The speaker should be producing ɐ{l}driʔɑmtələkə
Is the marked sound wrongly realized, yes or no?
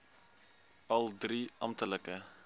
no